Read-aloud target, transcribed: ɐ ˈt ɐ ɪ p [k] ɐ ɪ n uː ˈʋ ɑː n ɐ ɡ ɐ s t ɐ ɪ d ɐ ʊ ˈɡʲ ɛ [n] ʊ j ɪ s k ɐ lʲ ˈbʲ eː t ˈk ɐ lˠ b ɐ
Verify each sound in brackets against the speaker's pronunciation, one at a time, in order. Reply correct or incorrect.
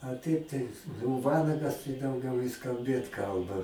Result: incorrect, incorrect

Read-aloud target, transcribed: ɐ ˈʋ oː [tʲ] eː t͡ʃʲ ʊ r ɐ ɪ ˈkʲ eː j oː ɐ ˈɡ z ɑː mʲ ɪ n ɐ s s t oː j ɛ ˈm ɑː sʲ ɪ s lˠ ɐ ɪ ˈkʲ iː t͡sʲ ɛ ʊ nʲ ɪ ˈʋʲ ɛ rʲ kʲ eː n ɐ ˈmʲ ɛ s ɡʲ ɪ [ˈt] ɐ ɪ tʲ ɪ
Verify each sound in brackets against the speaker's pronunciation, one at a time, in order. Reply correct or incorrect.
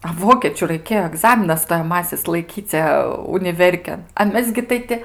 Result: incorrect, correct

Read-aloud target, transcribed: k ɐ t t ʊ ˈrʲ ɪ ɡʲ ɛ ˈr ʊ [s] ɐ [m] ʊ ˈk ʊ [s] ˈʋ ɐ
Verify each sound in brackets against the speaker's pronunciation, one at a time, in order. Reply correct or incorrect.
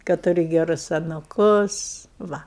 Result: correct, incorrect, correct

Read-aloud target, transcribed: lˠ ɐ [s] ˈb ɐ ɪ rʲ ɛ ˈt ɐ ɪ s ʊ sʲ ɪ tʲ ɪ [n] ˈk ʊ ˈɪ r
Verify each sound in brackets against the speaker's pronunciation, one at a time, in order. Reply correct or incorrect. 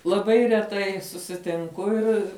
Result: incorrect, incorrect

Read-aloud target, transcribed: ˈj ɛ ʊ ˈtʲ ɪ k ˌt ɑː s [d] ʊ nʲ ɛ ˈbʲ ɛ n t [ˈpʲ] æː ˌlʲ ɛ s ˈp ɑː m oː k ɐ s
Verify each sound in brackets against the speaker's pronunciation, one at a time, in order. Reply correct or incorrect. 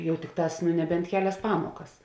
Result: incorrect, incorrect

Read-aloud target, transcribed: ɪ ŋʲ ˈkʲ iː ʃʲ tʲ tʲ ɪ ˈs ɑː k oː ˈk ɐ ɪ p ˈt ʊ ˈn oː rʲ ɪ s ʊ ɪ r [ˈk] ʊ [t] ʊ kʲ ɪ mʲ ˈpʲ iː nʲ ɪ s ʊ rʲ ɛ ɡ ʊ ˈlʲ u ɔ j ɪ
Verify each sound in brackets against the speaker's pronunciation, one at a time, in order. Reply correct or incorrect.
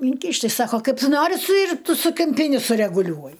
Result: incorrect, incorrect

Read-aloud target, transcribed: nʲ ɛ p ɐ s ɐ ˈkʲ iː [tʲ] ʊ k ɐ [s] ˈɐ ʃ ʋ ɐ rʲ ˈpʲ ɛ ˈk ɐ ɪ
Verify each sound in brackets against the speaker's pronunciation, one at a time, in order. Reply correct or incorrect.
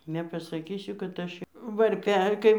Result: incorrect, incorrect

